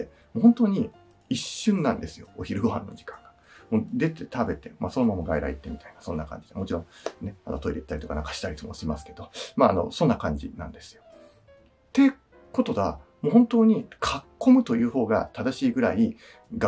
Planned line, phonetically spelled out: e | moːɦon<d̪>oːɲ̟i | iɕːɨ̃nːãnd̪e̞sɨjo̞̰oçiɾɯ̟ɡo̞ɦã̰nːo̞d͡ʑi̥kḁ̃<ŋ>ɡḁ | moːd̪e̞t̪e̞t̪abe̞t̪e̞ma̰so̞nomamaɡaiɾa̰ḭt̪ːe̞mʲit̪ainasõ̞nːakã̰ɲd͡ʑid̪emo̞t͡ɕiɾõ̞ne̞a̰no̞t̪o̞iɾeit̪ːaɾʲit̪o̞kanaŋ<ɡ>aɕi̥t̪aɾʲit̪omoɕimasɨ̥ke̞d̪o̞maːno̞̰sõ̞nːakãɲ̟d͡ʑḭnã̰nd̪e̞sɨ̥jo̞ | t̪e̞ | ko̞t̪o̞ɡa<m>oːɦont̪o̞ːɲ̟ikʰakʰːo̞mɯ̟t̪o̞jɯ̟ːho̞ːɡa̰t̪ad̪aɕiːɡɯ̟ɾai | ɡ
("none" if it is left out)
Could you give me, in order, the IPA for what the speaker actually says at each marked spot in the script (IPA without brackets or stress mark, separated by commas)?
t̪, ŋ, k, m